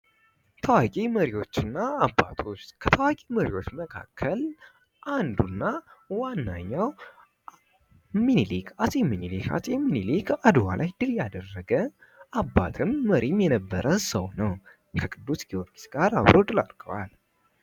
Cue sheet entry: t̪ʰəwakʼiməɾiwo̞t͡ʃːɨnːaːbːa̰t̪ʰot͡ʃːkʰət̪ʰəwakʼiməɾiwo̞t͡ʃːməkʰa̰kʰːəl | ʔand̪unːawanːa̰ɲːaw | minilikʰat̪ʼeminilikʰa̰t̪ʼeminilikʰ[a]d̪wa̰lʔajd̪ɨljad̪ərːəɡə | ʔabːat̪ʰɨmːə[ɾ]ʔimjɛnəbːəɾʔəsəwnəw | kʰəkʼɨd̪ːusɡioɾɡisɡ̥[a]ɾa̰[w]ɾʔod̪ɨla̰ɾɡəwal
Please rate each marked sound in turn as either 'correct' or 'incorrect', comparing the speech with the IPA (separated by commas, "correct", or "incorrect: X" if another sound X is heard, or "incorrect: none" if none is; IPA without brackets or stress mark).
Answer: correct, correct, correct, incorrect: β